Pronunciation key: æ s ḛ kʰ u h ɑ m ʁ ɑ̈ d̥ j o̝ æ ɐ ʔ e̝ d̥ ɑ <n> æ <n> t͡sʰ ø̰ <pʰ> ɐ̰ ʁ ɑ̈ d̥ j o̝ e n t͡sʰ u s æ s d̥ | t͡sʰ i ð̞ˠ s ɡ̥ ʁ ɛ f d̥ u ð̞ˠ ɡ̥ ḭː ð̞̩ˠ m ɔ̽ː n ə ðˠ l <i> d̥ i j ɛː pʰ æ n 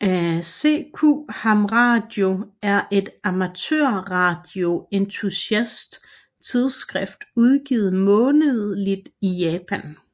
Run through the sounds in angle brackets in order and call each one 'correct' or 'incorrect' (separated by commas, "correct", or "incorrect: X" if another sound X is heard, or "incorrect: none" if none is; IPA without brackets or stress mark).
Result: incorrect: m, incorrect: none, incorrect: none, correct